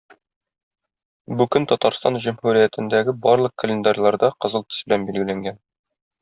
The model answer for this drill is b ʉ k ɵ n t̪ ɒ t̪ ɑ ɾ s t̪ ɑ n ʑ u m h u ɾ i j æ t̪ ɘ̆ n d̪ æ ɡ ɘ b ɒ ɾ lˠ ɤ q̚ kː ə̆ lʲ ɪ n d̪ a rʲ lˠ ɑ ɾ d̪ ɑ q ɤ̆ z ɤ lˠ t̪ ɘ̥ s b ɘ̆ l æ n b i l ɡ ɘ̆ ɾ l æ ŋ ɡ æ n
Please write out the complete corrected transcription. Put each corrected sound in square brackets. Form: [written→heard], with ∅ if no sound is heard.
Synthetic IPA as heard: b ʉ k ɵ n t̪ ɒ t̪ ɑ ɾ s t̪ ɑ n ʑ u m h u ɾ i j æ t̪ ɘ̆ n d̪ æ ɡ ɘ b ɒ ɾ lˠ ɤ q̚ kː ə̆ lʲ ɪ n d̪ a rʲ lˠ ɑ ɾ d̪ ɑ q ɤ̆ z ɤ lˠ t̪ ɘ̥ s b ɘ̆ l æ n b i l ɡ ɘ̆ [ɾ→∅] l æ ŋ ɡ æ n